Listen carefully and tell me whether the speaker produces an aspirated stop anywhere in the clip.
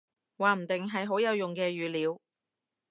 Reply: no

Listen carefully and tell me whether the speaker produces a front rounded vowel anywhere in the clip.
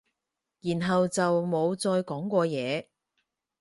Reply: no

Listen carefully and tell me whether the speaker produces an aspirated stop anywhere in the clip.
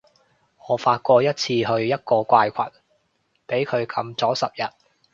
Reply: yes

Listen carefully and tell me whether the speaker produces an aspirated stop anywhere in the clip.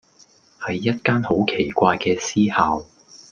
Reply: yes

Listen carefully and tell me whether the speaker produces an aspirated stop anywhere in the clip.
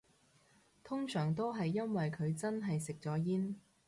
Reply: yes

